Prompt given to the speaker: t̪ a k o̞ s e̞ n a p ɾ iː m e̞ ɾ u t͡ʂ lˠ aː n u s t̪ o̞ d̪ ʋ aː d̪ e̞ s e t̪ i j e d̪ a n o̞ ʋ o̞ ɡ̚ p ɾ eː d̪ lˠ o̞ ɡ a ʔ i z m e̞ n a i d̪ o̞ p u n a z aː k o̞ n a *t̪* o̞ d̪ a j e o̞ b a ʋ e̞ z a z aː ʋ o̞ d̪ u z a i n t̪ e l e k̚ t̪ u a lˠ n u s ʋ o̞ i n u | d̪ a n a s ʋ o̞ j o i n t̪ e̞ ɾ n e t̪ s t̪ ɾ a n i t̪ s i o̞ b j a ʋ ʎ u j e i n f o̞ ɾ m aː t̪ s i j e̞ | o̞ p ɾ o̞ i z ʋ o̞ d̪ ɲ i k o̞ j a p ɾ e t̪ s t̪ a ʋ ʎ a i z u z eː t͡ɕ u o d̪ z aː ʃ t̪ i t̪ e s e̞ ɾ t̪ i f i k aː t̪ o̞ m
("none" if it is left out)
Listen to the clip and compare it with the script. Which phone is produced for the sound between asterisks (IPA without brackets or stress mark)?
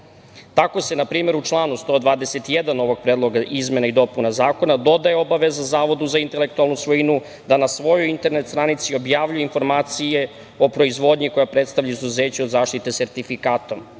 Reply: d̪